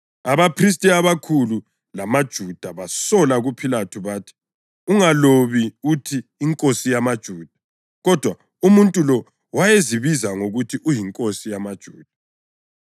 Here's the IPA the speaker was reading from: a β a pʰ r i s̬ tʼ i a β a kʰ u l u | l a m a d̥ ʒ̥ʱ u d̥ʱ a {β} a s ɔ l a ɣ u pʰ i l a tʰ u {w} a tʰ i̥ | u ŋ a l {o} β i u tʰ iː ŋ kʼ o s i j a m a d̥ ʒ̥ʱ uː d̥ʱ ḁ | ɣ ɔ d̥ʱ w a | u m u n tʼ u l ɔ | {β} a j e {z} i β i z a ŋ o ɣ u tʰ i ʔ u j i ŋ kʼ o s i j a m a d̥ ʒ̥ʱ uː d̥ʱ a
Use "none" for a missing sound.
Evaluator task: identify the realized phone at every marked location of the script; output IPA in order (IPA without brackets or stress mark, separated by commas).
β, β, o, w, z